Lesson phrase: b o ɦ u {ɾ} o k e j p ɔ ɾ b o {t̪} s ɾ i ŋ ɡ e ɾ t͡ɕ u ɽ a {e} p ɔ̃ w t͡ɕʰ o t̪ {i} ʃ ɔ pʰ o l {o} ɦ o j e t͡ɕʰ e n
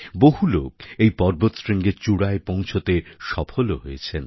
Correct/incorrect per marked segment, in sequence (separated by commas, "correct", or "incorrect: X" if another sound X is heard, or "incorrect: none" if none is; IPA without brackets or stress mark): incorrect: l, correct, correct, incorrect: e, correct